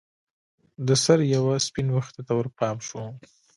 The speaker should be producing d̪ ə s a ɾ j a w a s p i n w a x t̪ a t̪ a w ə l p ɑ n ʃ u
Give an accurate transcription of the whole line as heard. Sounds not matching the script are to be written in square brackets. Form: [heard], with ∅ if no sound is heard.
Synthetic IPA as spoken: d̪ ə s a ɾ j a w a s p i n w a x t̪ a t̪ a w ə [ɾ] p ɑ [m] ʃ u